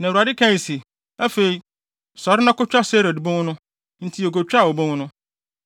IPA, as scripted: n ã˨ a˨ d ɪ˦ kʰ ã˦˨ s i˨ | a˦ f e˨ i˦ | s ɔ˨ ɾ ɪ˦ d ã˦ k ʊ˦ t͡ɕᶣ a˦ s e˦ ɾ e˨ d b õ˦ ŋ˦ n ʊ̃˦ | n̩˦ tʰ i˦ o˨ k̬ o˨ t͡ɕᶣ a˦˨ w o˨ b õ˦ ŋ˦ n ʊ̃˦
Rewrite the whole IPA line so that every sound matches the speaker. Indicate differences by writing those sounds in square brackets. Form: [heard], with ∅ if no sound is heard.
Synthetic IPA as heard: n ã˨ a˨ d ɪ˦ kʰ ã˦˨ s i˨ | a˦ f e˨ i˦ | s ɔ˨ ɾ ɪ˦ [n] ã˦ k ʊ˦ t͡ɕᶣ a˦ s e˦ ɾ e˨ d b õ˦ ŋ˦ n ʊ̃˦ | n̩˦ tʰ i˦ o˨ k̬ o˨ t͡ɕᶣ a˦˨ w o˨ b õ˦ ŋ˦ n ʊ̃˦